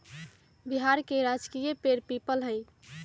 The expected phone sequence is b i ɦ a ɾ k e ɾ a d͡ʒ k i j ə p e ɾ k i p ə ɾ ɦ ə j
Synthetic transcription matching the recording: b i ɦ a ɾ k e ɾ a d͡ʒ k i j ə p e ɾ p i p ə l ɦ ə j